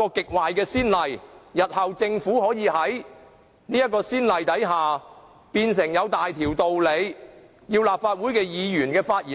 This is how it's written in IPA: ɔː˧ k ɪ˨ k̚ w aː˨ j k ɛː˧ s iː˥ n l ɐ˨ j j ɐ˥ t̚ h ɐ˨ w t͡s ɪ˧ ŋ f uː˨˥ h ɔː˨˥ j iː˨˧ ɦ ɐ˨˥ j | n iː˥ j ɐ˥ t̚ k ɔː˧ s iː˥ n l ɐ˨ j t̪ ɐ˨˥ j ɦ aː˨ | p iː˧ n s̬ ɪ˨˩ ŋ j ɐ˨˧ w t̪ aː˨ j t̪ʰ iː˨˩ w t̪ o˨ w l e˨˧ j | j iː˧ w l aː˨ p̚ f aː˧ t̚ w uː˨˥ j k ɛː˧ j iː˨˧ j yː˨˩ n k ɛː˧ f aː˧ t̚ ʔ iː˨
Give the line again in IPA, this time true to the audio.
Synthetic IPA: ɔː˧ k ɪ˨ k̚ w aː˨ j k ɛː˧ s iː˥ n l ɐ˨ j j ɐ˨ t̚ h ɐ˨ w t͡s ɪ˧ ŋ f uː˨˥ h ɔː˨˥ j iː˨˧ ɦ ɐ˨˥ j | n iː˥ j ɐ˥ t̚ k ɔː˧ s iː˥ n l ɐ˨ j t̪ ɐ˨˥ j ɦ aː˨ | p iː˧ n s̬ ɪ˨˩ ŋ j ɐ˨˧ w t̪ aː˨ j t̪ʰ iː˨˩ w t̪ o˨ w l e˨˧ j | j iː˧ w l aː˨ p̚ f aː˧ t̚ w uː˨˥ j k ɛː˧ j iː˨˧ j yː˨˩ n k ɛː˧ f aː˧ t̚ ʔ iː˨